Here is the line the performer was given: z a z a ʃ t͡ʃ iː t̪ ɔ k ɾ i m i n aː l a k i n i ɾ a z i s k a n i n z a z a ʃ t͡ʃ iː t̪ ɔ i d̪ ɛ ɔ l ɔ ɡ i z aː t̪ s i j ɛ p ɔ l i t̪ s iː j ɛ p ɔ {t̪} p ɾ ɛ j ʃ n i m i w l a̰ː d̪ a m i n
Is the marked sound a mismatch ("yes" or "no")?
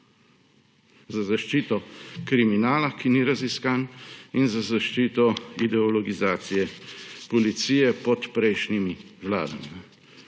no